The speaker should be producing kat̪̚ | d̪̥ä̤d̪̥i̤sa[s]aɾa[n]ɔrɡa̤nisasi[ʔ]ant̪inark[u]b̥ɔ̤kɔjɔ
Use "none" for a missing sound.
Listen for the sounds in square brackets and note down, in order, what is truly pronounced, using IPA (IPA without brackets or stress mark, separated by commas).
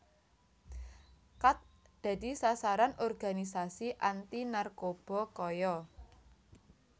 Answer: s, n, ʔ, o